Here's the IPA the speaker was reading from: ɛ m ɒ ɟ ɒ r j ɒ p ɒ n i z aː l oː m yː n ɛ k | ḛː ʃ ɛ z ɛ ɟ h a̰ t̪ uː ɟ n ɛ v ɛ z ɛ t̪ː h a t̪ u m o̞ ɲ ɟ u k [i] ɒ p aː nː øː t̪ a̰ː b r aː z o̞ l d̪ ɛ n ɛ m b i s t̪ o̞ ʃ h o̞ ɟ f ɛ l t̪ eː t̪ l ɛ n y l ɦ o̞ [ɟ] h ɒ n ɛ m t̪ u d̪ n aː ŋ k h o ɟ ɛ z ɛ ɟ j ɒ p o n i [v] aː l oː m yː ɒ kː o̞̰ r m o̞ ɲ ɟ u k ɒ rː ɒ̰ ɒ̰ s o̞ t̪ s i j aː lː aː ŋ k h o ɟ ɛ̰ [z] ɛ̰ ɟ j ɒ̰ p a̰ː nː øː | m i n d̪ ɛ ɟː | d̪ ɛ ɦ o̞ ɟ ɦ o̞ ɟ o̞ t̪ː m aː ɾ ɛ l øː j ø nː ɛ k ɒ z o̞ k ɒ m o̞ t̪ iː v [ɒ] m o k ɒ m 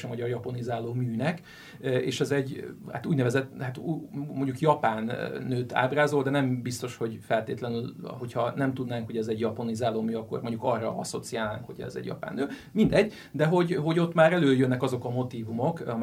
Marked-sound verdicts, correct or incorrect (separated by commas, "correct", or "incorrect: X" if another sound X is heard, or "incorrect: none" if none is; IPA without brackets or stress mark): incorrect: j, incorrect: c, incorrect: z, correct, incorrect: u